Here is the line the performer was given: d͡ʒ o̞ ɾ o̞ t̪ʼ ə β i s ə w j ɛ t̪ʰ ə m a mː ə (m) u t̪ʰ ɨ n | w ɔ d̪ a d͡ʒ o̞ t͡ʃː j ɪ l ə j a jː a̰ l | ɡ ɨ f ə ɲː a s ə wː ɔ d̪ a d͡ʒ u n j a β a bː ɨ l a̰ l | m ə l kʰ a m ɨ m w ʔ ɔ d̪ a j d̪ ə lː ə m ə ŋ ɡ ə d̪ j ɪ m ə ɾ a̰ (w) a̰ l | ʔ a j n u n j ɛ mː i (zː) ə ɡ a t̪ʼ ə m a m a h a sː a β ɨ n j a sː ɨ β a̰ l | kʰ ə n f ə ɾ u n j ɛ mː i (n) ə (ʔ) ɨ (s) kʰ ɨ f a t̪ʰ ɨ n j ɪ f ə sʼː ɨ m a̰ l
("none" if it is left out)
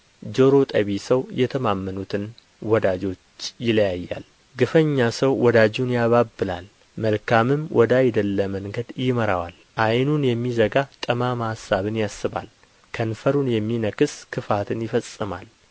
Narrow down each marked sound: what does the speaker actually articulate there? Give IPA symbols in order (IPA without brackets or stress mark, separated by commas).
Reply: n, w, z, n, k, s